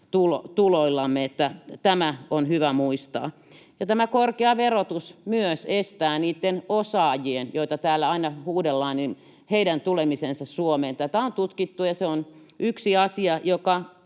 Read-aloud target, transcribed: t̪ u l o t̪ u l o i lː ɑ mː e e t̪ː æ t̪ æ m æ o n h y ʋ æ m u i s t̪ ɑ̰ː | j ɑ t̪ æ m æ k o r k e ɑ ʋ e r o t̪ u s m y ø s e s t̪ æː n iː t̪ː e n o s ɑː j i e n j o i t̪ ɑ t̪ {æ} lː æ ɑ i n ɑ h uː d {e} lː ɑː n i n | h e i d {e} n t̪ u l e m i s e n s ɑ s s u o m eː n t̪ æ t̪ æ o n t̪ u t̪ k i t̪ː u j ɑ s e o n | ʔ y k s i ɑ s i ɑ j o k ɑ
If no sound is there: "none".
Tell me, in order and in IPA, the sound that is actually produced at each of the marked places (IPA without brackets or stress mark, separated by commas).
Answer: æː, e, æ